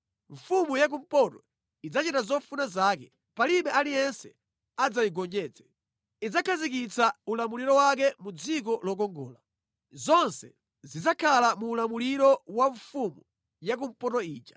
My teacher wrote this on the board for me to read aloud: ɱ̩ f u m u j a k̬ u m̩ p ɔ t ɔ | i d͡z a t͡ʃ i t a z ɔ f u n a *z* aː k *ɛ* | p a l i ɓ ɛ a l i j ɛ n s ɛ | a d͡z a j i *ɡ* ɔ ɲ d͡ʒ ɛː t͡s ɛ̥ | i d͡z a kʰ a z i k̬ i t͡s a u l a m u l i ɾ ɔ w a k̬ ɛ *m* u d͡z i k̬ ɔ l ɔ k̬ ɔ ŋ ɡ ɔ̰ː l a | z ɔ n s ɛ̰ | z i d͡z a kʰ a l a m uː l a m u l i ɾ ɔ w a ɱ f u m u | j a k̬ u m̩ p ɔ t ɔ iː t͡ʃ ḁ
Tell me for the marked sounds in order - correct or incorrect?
correct, correct, correct, correct

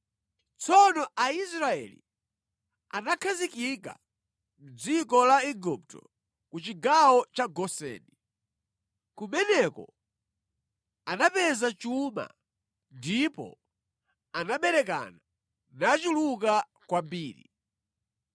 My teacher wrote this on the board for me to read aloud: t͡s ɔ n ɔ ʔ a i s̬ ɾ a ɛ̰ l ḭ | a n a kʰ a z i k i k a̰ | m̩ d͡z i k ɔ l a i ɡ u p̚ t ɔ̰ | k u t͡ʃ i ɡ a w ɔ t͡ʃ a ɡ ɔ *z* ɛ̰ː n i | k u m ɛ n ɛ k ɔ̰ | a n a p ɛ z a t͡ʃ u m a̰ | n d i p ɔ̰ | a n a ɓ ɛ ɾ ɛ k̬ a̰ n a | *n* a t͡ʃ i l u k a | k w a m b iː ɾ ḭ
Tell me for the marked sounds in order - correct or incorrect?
incorrect: s, correct

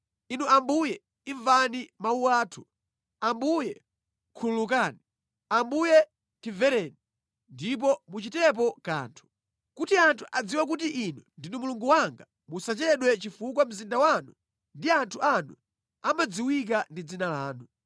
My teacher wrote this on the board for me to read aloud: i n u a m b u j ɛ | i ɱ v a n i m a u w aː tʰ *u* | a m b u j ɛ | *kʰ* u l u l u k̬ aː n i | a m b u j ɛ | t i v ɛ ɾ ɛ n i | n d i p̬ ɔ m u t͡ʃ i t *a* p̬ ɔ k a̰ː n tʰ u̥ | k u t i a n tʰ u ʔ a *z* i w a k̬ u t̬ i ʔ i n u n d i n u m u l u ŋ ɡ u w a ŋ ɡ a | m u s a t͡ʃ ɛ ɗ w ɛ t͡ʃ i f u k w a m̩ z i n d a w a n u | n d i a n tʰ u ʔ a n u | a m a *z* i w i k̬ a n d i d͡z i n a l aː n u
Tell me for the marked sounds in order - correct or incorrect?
correct, correct, incorrect: ɛ, incorrect: d͡z, incorrect: d͡z

